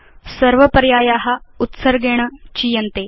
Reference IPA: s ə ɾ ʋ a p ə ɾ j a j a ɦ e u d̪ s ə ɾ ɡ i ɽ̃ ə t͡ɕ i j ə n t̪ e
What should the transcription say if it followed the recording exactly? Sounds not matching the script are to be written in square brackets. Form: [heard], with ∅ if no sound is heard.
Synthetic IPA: s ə ɾ ʋ [ə] p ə ɾ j a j a ɦ [a] u [t̪] s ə ɾ ɡ [e] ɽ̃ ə t͡ɕ i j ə n t̪ e